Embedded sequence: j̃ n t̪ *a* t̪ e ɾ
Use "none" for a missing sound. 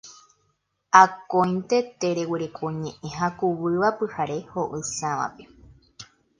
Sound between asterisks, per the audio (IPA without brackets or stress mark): e